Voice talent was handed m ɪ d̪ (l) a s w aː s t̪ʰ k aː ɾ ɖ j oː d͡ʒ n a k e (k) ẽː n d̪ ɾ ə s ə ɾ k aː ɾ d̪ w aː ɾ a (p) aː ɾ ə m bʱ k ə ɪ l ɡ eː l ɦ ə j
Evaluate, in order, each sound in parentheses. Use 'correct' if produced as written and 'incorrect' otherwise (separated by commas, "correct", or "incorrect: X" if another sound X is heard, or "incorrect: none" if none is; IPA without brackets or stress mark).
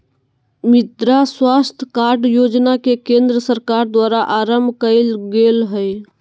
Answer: incorrect: ɾ, correct, incorrect: ʔ